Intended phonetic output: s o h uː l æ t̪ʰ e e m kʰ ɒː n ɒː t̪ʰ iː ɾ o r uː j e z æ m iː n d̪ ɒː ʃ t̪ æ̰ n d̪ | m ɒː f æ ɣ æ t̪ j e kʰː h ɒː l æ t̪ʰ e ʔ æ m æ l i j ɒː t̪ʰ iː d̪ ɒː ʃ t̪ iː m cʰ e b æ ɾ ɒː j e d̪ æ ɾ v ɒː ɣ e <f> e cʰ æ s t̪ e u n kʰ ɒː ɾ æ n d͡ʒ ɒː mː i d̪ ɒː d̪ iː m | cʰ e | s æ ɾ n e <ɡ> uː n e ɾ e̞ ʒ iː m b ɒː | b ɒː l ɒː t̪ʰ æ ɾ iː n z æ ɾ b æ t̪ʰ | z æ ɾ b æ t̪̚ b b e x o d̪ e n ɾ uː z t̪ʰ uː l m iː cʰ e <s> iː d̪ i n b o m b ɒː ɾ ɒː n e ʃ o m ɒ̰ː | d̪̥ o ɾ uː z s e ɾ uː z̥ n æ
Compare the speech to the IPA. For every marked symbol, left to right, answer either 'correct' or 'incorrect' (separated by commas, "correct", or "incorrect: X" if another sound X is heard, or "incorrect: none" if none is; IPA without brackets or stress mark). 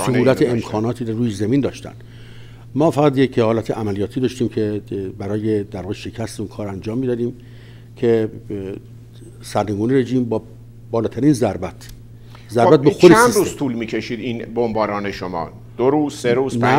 incorrect: ʃ, correct, incorrect: ʃ